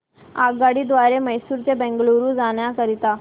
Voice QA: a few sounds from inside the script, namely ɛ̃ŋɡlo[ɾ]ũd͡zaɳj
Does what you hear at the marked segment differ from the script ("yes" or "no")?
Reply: no